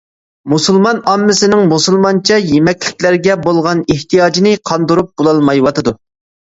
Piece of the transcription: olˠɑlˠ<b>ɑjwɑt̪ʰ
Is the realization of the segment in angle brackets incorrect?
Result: yes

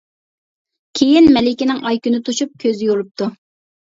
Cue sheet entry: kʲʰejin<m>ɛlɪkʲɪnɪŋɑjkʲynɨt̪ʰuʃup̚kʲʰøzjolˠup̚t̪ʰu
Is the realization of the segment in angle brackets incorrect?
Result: no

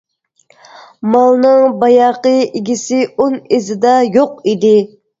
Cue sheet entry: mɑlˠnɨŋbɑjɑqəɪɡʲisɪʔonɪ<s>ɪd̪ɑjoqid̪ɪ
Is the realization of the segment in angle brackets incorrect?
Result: yes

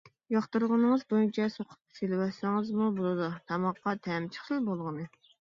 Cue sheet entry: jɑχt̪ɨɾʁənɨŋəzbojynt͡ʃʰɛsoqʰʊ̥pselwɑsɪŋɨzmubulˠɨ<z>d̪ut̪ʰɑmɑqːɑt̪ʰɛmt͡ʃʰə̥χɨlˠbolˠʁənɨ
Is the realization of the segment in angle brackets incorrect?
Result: yes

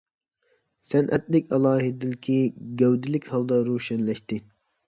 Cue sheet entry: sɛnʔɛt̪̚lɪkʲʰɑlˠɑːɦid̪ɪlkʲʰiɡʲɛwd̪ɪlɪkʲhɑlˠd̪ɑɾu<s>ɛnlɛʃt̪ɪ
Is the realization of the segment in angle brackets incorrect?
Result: yes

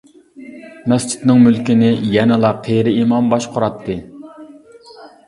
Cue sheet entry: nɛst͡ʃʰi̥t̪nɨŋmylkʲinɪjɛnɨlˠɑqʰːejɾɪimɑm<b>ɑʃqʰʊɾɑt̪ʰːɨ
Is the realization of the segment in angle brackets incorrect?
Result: no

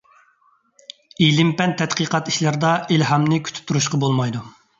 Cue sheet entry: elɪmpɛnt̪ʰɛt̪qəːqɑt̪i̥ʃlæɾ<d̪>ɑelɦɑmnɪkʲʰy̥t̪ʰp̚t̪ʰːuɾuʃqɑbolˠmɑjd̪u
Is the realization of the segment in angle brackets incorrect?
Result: no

